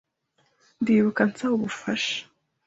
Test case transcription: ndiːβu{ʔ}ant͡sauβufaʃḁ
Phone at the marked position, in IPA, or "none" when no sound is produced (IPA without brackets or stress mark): k